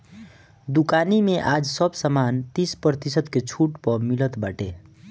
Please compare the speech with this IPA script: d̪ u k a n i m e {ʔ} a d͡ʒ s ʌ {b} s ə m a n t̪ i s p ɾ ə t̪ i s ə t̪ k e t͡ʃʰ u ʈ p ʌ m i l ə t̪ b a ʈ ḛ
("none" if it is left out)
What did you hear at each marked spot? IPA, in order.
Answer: ʔ, b

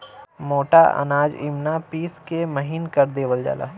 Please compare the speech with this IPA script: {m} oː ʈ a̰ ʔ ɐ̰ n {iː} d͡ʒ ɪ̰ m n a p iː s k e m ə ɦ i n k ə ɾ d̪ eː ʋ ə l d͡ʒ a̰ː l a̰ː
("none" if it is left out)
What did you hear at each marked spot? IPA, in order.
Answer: m, aː

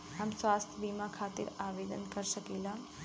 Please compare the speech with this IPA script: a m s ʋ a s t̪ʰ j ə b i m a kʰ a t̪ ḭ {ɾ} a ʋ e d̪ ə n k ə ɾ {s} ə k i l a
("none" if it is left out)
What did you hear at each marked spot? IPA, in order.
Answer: ɾ, ʃ

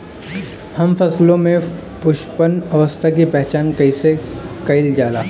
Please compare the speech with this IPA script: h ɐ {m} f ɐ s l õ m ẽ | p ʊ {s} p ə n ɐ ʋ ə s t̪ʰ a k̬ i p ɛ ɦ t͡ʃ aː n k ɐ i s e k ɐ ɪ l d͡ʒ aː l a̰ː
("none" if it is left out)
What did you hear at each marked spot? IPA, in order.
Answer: m, ʃ

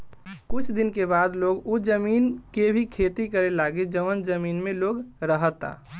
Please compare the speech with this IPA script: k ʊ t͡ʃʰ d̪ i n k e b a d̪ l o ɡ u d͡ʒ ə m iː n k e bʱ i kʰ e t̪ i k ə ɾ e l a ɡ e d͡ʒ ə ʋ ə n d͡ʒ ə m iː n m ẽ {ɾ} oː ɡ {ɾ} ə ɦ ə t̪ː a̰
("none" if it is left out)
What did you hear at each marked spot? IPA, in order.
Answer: l, ɾ

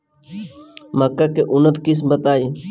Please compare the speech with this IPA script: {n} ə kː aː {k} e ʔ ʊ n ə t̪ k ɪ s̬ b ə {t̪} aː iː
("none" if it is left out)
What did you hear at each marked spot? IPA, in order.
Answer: m, k, t̪

